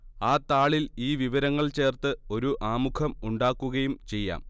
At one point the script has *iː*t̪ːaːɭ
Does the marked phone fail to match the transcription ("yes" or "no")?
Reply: yes